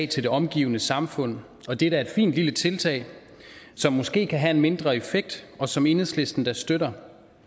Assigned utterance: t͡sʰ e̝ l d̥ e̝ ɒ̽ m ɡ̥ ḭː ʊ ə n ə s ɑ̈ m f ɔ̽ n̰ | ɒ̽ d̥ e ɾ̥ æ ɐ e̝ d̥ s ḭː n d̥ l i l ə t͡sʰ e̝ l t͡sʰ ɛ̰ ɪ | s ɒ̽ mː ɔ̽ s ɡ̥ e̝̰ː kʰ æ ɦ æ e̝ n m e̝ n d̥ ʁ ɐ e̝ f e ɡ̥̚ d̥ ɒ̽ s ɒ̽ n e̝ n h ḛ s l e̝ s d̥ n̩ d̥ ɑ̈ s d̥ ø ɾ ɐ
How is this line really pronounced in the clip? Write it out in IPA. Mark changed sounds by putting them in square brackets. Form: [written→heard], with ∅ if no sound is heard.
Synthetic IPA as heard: t͡sʰ e̝ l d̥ e̝ ɒ̽ m ɡ̥ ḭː ʊ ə n ə s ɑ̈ m f ɔ̽ n̰ | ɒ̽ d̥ e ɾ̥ æ ɐ e̝ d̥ [s→f] ḭː n d̥ l i l ə t͡sʰ e̝ l t͡sʰ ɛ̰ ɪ | s ɒ̽ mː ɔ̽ s ɡ̥ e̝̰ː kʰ æ ɦ æ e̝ n m e̝ n d̥ ʁ ɐ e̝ f e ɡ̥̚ d̥ ɒ̽ s ɒ̽ [n→m] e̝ n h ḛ s l e̝ s d̥ n̩ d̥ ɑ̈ s d̥ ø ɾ ɐ